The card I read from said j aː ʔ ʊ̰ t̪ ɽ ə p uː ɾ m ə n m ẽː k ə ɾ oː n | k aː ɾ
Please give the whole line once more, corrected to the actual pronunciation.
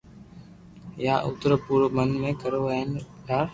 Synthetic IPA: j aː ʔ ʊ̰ t̪ ɾ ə p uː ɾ m ə n m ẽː k ə ɾ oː n | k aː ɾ